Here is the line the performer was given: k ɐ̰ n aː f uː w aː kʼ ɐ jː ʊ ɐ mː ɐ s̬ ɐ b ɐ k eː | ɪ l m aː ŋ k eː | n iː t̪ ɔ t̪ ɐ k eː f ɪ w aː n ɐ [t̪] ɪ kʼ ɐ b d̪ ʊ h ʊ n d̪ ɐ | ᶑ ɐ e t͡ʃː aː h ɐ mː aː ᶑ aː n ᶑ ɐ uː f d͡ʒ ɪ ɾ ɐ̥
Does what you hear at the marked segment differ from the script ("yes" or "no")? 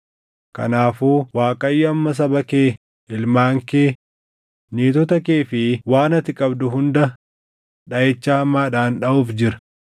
no